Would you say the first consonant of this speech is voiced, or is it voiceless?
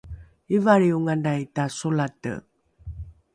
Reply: voiced